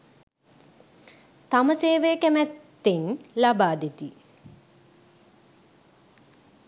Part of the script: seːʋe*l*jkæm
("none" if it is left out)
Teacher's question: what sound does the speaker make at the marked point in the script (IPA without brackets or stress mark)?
none